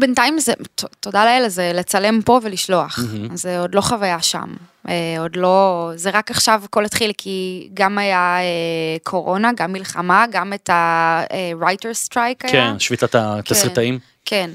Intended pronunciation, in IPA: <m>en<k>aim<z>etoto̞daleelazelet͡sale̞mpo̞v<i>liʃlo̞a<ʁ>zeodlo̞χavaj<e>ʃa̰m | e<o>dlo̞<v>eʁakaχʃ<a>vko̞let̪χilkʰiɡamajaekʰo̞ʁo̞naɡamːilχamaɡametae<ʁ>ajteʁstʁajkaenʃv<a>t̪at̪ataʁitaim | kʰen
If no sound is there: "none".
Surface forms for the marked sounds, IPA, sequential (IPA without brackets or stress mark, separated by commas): b, t, z, e, χ, a, o, z, a, ʁ, i